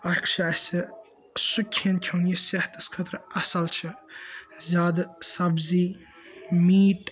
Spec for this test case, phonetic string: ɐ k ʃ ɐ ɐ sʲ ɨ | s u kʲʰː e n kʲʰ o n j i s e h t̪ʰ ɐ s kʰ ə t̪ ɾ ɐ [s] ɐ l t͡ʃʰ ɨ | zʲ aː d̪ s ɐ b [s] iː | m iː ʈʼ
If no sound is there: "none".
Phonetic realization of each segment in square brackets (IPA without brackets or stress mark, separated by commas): s, z